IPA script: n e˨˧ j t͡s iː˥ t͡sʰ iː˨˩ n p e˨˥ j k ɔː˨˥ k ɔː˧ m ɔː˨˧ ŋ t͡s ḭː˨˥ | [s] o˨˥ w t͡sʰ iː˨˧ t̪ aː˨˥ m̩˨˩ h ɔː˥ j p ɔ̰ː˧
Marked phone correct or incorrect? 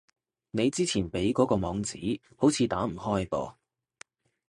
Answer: incorrect